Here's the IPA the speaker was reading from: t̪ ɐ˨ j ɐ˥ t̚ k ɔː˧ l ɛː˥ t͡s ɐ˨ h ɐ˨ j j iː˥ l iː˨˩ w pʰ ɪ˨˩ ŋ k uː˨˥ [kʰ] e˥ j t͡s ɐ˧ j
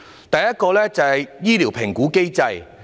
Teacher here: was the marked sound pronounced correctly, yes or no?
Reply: no